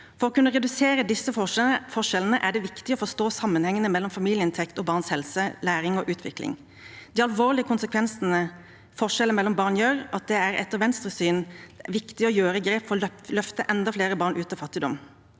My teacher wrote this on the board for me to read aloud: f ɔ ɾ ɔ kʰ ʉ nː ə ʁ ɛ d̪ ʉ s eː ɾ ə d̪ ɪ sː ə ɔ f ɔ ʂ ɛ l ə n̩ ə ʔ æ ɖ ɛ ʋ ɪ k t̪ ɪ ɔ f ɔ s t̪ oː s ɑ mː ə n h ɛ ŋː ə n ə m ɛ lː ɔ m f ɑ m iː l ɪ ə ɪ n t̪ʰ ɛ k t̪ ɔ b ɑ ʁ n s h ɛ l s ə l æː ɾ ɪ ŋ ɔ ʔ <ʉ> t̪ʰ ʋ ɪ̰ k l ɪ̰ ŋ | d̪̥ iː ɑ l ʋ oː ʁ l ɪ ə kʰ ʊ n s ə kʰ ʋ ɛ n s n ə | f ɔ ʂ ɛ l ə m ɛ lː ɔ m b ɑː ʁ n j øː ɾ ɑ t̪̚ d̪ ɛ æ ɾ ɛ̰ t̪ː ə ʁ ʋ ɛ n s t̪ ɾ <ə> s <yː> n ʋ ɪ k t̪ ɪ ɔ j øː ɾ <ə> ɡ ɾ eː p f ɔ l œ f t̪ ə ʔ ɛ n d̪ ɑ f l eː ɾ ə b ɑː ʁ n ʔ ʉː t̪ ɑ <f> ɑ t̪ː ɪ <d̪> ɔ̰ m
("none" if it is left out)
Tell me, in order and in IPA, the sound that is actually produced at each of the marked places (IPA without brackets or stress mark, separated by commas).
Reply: ʉː, ə, yː, ə, f, d̪